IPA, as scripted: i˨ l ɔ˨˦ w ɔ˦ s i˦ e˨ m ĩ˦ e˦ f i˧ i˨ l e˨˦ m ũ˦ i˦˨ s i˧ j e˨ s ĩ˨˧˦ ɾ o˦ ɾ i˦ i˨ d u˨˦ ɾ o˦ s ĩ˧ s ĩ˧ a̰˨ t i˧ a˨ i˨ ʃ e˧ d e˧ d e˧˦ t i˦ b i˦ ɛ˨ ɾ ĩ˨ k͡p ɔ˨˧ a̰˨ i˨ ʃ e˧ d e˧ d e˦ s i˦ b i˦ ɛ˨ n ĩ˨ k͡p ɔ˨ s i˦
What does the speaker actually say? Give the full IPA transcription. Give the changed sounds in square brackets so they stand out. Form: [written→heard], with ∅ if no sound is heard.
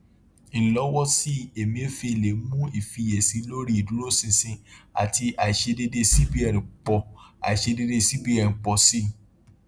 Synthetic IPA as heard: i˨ l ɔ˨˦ w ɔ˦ s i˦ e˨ m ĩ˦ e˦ f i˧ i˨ l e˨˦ m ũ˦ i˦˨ [s→f] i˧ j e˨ s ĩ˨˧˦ [ɾ→l] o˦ ɾ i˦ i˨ d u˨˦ ɾ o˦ s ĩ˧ s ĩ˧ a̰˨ t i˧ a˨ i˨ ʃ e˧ d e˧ d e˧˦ [t→s] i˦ b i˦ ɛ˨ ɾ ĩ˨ k͡p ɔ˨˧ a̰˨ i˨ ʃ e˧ d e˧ d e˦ s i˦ b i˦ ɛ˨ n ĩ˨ k͡p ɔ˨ s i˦